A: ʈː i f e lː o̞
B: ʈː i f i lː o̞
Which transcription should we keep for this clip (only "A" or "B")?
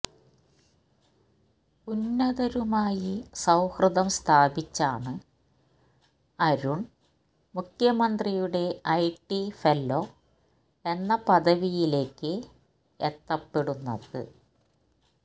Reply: A